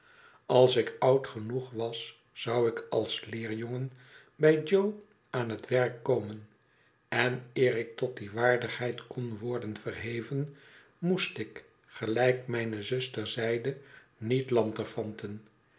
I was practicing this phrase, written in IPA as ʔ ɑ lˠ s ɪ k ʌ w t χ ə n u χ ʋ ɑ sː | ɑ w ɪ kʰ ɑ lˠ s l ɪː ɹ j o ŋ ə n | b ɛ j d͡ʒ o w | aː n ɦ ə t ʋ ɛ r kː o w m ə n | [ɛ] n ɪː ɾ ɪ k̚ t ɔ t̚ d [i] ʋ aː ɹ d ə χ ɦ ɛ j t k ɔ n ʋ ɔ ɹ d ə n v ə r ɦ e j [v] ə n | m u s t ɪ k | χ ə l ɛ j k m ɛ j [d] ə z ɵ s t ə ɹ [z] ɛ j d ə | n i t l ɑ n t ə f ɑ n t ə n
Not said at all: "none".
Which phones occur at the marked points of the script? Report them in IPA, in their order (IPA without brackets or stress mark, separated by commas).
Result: ɛ, i, v, n, z